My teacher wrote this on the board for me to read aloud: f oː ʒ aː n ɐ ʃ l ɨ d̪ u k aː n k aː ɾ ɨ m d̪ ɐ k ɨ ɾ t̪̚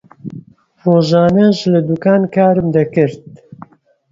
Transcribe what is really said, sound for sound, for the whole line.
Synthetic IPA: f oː ʒ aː n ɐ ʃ l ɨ d̪ u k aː n k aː ɾ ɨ m d̪ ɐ k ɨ ɾ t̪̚